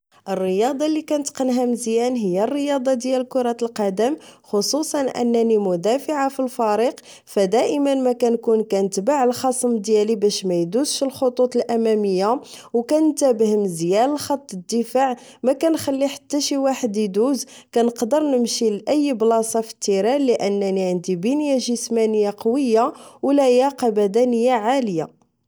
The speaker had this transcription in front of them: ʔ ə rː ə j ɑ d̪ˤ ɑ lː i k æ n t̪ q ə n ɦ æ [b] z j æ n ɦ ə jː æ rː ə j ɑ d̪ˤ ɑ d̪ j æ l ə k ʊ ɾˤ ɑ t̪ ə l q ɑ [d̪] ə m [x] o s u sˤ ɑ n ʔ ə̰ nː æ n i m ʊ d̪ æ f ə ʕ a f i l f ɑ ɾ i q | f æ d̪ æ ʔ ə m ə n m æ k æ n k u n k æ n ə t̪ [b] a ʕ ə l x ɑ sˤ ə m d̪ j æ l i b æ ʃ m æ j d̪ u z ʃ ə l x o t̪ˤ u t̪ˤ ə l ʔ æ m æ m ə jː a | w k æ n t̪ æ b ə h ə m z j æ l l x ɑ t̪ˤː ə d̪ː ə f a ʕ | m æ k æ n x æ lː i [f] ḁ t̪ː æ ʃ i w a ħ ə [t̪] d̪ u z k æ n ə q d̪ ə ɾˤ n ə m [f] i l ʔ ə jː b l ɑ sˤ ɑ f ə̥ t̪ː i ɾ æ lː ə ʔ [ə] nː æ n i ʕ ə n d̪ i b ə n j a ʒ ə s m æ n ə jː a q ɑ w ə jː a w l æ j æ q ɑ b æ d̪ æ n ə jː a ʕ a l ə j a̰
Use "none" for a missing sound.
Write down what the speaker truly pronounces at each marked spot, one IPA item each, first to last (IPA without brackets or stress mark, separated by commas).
m, d̪, x, b, ħ, d̪, ʃ, ə